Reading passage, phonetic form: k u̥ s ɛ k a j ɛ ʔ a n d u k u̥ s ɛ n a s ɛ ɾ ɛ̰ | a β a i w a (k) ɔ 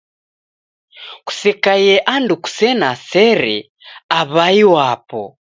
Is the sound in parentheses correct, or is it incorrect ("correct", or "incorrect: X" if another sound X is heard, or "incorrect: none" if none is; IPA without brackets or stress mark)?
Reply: incorrect: p